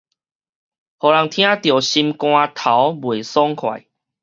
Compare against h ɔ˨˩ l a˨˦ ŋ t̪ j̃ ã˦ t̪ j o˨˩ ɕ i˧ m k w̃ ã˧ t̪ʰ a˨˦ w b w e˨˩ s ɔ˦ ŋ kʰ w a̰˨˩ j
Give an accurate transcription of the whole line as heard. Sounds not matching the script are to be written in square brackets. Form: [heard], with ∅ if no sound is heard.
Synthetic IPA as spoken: h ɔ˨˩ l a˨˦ ŋ [t̪ʰ] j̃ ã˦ t̪ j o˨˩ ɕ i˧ m k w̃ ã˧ t̪ʰ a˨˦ w b w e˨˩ s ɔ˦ ŋ kʰ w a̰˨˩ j